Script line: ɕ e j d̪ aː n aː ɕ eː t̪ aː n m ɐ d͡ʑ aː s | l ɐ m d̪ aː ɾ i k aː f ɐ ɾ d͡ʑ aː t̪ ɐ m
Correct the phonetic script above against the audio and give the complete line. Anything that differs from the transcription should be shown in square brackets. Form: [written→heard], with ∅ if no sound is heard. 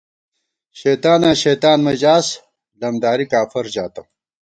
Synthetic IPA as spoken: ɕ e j [d̪→t̪] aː n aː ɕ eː t̪ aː n m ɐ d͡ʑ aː s | l ɐ m d̪ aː ɾ i k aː f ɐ ɾ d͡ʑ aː t̪ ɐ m

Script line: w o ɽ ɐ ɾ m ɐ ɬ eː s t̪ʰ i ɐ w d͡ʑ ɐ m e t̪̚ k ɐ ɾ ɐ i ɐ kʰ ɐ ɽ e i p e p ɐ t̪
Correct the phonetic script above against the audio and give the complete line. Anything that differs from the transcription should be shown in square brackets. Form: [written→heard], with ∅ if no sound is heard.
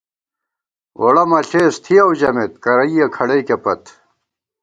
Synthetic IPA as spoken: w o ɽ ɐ [ɾ→∅] m ɐ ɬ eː s t̪ʰ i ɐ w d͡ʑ ɐ m e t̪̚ k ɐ ɾ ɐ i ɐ kʰ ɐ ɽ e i [p→k] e p ɐ t̪

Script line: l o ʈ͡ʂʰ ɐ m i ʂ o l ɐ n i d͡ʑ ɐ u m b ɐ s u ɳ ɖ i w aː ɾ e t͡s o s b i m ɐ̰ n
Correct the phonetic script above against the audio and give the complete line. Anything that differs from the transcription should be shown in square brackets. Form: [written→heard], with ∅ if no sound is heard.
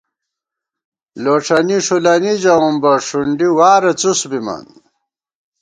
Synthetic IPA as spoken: l o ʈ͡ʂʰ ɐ [m→n] i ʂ [o→u] l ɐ n i d͡ʑ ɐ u m b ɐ [s→ʂ] u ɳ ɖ i w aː ɾ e t͡s [o→u] s b i m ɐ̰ n

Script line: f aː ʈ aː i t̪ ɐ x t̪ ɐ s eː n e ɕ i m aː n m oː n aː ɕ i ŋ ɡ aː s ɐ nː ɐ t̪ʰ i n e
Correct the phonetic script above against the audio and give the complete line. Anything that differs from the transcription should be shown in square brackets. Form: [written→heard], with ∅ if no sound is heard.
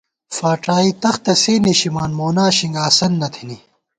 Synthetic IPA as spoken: f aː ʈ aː i t̪ ɐ x t̪ ɐ s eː n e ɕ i m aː n m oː n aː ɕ i ŋ ɡ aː s ɐ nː ɐ t̪ʰ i n [e→i]

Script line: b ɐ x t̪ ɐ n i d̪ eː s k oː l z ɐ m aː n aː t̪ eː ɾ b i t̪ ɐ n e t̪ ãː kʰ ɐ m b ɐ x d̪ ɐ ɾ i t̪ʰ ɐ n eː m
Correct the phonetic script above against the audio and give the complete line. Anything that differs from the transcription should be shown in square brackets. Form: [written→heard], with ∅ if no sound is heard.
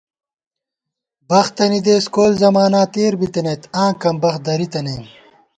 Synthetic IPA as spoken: b ɐ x t̪ ɐ n i d̪ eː s k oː l z ɐ m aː n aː t̪ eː ɾ b i t̪ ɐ n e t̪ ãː [kʰ→k] ɐ m b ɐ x d̪ ɐ ɾ i [t̪ʰ→t̪] ɐ n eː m

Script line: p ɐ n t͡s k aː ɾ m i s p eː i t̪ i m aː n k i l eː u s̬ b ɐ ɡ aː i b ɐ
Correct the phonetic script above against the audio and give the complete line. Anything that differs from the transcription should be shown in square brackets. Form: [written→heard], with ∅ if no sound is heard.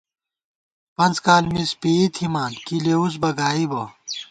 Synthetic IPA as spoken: p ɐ n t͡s k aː [ɾ→l] m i s p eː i [t̪→t̪ʰ] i m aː n k i l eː u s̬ b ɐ ɡ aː i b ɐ

